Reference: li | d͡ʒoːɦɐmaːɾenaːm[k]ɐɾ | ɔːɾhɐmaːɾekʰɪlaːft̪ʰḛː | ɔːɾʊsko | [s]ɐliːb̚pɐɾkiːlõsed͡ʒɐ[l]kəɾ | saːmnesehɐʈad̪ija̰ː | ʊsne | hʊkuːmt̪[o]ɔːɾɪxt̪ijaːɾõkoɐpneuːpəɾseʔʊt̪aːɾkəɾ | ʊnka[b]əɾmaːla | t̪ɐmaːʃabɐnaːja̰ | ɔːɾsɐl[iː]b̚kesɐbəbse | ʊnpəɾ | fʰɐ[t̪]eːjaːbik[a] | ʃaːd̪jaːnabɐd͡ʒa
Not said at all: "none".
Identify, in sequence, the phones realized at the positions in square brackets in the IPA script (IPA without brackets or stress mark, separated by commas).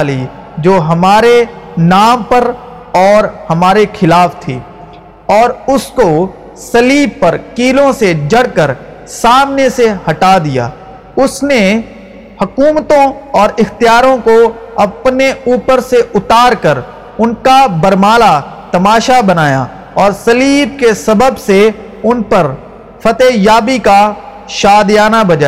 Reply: p, s, ɽ, õ, b, iː, t̪, a